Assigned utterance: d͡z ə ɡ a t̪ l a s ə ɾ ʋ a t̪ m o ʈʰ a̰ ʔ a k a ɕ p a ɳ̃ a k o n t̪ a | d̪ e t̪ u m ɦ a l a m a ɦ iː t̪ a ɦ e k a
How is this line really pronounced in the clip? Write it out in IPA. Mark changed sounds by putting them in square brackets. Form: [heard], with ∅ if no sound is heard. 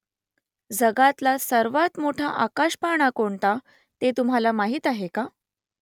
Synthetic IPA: d͡z ə ɡ a t̪ l a s ə ɾ ʋ a t̪ m o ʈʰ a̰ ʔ a k a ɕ p a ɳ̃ a k o [ɳ] t̪ a | [t̪] e t̪ u m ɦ a l a m a ɦ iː t̪ a ɦ e k a